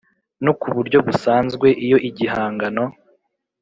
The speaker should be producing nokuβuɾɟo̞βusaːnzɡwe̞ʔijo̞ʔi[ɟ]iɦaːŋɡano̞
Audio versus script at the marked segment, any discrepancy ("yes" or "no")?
no